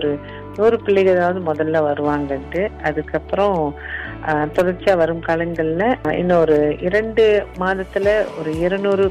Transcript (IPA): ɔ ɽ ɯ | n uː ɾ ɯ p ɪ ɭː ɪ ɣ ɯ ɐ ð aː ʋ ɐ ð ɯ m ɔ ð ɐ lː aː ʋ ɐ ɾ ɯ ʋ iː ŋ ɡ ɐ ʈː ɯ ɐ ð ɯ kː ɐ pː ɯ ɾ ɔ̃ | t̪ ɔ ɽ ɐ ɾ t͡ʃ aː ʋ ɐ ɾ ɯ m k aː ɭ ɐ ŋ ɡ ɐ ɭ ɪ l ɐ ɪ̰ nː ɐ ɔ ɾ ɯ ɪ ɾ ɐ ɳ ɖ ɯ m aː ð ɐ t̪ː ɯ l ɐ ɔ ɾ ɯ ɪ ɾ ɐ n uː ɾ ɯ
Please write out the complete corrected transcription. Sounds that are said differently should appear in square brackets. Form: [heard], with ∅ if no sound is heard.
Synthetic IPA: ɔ [ɾ] ɯ | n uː ɾ ɯ p ɪ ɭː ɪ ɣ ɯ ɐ ð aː ʋ ɐ ð ɯ m ɔ ð ɐ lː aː ʋ ɐ ɾ ɯ ʋ [aː] ŋ ɡ ɐ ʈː ɯ ɐ ð ɯ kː ɐ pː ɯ ɾ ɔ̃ | t̪ ɔ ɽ ɐ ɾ t͡ʃ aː ʋ ɐ ɾ ɯ m k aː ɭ ɐ ŋ ɡ ɐ ɭ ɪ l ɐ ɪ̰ nː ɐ ɔ ɾ ɯ ɪ ɾ ɐ ɳ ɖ ɯ m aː ð ɐ t̪ː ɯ l ɐ ɔ ɾ ɯ ɪ ɾ ɐ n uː ɾ ɯ